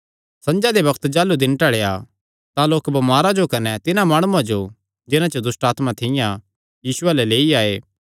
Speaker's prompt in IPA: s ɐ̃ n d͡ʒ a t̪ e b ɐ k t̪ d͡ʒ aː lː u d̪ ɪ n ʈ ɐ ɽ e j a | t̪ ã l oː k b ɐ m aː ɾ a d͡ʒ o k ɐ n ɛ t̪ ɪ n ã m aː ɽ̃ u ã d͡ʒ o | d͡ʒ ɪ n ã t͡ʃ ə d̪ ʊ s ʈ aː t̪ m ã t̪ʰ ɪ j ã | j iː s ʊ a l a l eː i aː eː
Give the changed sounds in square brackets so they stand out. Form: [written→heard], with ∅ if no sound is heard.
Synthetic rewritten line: s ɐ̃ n d͡ʒ a [t̪→d̪] e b ɐ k t̪ d͡ʒ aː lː u d̪ ɪ n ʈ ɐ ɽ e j a | t̪ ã l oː k b ɐ m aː ɾ a d͡ʒ o k ɐ n ɛ t̪ ɪ n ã m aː ɽ̃ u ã d͡ʒ o | d͡ʒ ɪ n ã t͡ʃ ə d̪ ʊ s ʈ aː t̪ m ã t̪ʰ ɪ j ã | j iː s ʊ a l [a→ɛ] l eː i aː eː

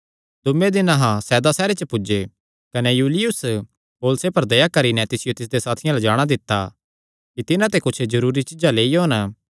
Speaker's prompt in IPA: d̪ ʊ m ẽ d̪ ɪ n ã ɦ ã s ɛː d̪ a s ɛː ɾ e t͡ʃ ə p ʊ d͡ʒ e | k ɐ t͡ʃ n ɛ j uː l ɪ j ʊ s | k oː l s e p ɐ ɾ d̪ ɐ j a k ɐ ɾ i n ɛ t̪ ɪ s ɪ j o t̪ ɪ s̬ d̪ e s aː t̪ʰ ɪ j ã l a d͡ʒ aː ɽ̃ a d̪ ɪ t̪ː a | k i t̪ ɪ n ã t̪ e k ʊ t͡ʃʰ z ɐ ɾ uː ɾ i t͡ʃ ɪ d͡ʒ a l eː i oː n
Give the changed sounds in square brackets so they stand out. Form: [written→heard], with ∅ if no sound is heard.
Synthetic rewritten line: d̪ ʊ m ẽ d̪ ɪ n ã ɦ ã s ɛː d̪ a s ɛː ɾ e t͡ʃ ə p ʊ d͡ʒ e | k ɐ [t͡ʃ→∅] n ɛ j uː l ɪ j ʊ s | [k→p] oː l s e p ɐ ɾ d̪ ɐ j a k ɐ ɾ i n ɛ t̪ ɪ s ɪ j o t̪ ɪ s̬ d̪ e s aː t̪ʰ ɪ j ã l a d͡ʒ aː ɽ̃ a d̪ ɪ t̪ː a | k i t̪ ɪ n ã t̪ e k ʊ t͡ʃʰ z ɐ ɾ uː ɾ i t͡ʃ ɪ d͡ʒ a l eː i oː n

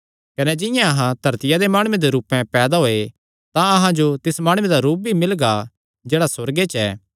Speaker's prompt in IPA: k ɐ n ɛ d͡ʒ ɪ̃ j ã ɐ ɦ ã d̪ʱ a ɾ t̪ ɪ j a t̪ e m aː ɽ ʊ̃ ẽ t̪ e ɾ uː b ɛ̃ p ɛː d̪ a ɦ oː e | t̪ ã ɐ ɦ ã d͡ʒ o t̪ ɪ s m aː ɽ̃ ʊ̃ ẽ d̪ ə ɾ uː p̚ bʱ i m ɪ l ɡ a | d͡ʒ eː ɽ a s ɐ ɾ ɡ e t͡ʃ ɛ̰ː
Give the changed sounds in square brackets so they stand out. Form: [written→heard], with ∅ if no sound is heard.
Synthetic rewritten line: k ɐ n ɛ d͡ʒ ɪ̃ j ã ɐ ɦ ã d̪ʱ [a→ɐ] ɾ t̪ ɪ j a [t̪→d̪] e m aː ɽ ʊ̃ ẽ [t̪→d̪] e ɾ uː [b→p] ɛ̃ p ɛː d̪ a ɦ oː e | t̪ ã ɐ ɦ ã d͡ʒ o t̪ ɪ s m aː ɽ̃ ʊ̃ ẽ d̪ [ə→a] ɾ uː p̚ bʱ i m ɪ l ɡ a | d͡ʒ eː ɽ a s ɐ ɾ ɡ e t͡ʃ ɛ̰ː

